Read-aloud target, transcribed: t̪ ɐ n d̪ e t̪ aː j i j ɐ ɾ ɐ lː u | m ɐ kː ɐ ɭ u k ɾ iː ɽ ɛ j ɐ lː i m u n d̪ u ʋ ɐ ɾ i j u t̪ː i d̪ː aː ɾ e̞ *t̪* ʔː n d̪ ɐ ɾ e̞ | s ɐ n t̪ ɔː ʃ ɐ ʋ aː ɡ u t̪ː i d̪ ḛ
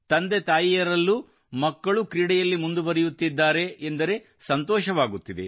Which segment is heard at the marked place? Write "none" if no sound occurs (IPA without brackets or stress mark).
none